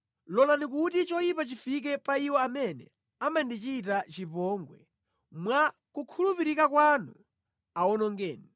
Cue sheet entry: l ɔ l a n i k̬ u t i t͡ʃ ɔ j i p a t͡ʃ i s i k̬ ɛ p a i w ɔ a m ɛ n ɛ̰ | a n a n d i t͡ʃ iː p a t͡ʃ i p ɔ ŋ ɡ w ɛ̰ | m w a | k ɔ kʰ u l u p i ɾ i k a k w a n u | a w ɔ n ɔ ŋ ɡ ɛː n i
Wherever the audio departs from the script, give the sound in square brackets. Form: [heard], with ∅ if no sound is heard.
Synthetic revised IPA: l ɔ l a n i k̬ u t i t͡ʃ ɔ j i p a t͡ʃ i [f] i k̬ ɛ p a i w ɔ a m ɛ n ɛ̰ | a [m] a n d i t͡ʃ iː [t] a t͡ʃ i p ɔ ŋ ɡ w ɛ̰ | m w a | k [u] kʰ u l u p i ɾ i k a k w a n u | a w ɔ n ɔ ŋ ɡ ɛː n i